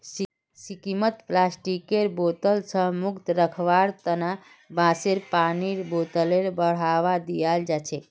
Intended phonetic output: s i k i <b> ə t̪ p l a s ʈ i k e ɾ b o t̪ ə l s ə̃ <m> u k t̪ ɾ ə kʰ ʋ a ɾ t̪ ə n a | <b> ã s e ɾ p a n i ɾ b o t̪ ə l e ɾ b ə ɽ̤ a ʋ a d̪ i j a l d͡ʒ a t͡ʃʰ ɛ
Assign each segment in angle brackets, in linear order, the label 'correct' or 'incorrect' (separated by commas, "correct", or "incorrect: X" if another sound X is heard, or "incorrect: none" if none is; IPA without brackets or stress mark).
incorrect: m, correct, correct